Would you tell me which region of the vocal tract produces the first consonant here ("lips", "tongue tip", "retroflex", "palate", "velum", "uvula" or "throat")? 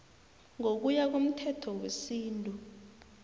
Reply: velum